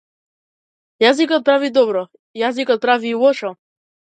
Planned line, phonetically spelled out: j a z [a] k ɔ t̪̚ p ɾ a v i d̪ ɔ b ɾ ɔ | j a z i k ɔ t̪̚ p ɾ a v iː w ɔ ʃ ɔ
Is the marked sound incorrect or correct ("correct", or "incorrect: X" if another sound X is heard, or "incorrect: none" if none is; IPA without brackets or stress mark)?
incorrect: i